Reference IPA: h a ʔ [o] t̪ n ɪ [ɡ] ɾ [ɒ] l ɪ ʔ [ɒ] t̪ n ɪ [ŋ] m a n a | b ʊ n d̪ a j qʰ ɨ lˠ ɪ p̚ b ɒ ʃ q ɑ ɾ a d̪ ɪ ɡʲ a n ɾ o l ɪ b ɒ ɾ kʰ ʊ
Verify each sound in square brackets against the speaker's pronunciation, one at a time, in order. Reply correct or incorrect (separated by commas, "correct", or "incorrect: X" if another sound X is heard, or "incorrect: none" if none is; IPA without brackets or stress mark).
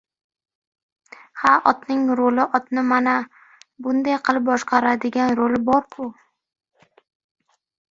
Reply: incorrect: ɒ, incorrect: ŋ, incorrect: o, correct, incorrect: none